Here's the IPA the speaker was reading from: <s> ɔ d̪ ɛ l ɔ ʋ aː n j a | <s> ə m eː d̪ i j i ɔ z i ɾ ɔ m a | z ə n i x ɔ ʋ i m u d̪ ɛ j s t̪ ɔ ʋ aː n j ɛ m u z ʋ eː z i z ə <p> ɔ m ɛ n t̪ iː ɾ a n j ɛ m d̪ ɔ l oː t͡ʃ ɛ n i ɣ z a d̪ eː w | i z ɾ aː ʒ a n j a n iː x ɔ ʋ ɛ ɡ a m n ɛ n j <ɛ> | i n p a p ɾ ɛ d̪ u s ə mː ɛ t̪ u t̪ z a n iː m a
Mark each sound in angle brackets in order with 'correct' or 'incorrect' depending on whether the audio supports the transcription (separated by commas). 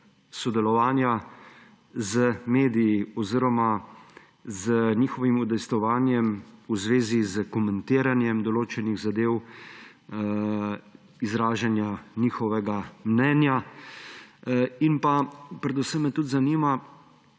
correct, incorrect, incorrect, incorrect